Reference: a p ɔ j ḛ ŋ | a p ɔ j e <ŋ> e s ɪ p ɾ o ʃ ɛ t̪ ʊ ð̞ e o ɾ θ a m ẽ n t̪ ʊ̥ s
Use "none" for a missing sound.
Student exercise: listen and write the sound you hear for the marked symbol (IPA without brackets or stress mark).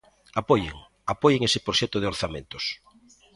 ŋ